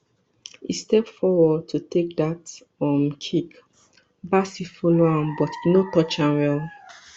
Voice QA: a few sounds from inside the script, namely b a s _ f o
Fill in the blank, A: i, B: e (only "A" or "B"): A